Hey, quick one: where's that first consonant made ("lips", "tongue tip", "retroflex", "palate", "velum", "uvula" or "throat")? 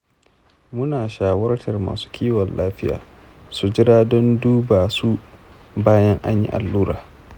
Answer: lips